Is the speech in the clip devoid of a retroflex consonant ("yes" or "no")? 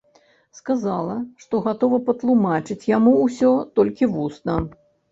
no